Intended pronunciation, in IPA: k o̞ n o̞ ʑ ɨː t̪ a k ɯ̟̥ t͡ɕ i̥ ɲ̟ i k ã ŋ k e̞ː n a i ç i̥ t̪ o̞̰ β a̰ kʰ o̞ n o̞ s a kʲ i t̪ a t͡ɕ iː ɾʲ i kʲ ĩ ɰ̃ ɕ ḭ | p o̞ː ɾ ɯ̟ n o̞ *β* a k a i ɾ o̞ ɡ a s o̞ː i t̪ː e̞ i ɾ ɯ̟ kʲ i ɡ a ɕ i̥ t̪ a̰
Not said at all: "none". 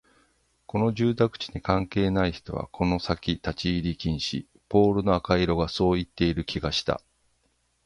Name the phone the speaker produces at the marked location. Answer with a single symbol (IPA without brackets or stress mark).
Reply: none